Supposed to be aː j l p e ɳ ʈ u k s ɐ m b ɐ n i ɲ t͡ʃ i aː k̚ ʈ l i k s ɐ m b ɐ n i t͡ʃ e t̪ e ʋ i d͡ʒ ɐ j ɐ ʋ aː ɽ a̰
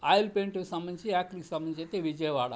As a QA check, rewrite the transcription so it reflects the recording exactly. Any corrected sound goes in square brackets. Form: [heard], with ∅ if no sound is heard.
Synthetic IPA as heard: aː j l p e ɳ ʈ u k s ɐ m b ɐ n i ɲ t͡ʃ i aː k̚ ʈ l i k s ɐ m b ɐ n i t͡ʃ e t̪ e ʋ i d͡ʒ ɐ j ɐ ʋ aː ɽ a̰